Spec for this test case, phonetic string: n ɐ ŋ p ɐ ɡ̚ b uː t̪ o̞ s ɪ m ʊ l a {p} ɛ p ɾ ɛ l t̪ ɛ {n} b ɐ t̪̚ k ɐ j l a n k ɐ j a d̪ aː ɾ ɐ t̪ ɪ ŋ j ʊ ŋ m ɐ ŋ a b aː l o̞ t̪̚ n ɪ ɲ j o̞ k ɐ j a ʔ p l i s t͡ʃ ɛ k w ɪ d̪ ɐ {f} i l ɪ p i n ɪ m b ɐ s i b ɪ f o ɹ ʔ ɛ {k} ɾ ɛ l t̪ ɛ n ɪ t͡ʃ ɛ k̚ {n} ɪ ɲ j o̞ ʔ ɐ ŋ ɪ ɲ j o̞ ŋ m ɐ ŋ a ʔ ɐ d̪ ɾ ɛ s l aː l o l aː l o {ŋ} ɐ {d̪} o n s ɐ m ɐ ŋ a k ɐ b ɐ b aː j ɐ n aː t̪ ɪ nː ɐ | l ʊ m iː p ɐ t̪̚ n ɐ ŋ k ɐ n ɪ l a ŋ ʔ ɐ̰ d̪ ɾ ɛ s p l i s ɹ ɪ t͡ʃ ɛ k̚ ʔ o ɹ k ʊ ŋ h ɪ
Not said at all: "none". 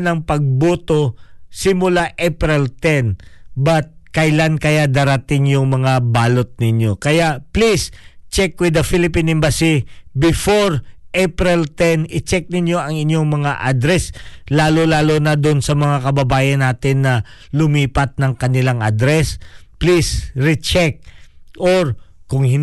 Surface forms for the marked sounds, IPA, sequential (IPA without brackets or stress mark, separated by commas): ʔ, n, f, p, n, n, d̪